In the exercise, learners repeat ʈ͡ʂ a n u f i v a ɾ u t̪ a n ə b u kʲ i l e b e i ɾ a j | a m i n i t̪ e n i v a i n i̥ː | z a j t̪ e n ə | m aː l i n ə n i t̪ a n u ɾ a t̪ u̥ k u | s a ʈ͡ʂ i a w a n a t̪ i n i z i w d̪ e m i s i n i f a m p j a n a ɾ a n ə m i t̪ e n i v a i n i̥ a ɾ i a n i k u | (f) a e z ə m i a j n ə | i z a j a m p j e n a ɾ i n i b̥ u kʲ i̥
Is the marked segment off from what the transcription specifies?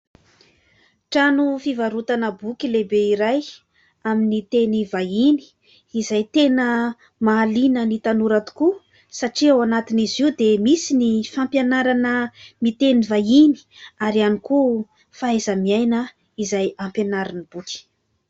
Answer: no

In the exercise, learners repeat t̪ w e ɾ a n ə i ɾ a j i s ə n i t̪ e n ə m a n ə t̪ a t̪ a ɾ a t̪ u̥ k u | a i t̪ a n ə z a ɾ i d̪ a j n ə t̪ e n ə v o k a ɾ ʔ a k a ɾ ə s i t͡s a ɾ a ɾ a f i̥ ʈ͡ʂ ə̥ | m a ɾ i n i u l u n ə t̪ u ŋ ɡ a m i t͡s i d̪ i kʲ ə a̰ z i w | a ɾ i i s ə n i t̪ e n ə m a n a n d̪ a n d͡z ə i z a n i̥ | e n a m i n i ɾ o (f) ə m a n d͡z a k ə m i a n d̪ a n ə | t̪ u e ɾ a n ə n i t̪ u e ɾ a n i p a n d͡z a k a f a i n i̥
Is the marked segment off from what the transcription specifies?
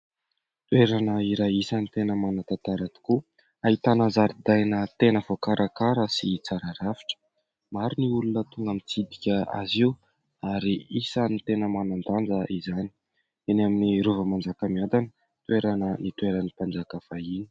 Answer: yes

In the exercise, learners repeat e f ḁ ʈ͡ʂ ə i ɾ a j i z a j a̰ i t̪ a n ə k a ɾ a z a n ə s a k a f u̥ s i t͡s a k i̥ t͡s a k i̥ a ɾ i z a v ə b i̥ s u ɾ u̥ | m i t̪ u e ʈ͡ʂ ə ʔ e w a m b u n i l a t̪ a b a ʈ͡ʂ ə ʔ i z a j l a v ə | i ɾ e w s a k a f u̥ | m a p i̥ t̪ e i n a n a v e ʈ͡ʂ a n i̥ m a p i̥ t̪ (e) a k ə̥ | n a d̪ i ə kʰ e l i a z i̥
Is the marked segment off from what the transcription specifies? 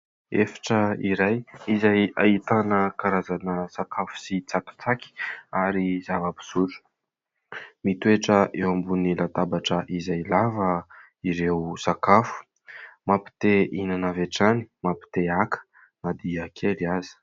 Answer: no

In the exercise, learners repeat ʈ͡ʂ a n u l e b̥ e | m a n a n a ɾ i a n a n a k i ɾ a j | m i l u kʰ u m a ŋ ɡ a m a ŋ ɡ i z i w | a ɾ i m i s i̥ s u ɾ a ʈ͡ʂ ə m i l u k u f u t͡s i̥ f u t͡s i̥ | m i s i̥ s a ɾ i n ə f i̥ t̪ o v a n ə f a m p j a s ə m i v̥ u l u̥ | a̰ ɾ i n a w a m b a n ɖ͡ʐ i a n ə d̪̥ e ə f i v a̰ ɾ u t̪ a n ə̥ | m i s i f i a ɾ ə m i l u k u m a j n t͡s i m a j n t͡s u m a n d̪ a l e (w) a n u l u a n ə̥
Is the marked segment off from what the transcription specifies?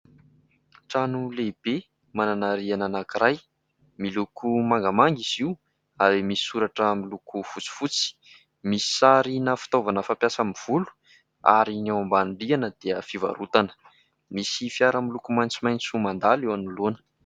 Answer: no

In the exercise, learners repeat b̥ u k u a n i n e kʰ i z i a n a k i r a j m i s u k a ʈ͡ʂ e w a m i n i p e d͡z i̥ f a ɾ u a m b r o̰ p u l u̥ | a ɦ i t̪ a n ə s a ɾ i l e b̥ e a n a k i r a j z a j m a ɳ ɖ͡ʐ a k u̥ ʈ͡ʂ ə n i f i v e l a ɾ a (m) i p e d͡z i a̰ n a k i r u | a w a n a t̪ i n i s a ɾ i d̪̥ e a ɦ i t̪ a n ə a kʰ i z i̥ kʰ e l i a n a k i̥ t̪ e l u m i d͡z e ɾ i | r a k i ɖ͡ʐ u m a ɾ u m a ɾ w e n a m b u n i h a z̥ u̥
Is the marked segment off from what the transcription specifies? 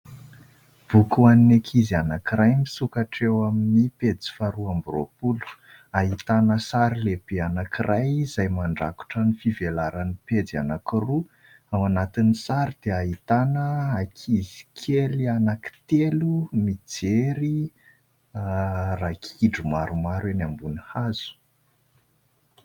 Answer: yes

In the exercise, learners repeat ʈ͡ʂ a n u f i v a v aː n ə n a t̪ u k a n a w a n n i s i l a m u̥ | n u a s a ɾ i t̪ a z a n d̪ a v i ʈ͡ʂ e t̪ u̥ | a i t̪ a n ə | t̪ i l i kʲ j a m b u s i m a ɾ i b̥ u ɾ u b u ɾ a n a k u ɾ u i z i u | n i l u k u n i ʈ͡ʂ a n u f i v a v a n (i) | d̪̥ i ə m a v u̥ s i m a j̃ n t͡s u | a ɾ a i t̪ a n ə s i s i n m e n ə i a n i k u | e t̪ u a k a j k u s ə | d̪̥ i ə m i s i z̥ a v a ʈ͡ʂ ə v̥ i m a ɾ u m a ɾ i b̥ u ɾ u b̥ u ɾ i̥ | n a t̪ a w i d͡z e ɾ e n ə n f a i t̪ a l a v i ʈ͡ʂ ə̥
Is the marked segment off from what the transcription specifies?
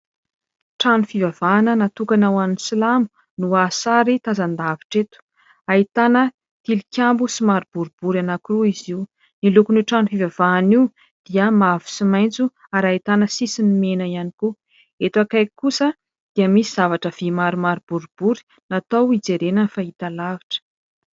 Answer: no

